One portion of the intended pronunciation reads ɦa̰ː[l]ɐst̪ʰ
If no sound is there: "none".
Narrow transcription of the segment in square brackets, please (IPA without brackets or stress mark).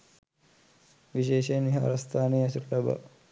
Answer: ɾ